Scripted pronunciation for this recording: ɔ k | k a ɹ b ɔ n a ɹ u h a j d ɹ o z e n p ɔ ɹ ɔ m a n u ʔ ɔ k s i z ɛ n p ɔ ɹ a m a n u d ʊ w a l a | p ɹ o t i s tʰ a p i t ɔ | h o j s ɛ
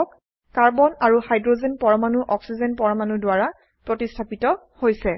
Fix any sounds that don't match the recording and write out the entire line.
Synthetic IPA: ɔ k | k a ɹ b ɔ n a ɹ u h a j d ɹ o z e n p ɔ ɹ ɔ m a n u ʔ ɔ k s i z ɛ n p ɔ ɹ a m a n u d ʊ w a ɹ a | p ɹ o t i s tʰ a p i t ɔ | h o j s ɛ